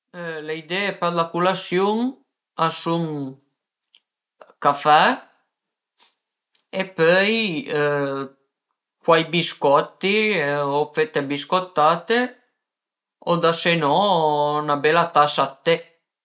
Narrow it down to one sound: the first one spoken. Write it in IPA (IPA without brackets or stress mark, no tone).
l